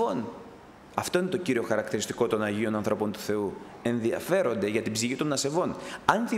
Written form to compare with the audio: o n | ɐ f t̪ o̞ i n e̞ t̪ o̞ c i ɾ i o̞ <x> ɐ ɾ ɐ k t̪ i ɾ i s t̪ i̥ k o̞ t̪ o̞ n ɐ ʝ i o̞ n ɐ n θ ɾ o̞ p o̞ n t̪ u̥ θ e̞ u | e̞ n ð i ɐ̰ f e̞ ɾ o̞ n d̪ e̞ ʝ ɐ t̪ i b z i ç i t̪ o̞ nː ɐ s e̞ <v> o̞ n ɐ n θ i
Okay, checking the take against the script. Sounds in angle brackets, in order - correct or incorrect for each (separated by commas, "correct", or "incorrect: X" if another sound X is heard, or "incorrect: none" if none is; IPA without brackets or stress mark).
correct, correct